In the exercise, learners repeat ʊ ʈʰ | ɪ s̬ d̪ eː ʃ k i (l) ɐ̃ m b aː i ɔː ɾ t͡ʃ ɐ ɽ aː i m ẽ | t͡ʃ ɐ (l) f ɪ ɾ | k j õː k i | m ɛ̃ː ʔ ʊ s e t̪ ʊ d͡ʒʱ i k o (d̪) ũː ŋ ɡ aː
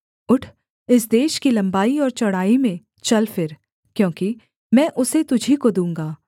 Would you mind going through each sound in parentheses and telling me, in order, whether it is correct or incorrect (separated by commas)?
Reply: correct, correct, correct